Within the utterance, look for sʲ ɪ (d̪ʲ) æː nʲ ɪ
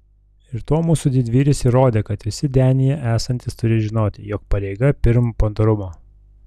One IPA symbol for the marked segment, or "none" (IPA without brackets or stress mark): d̪ʲ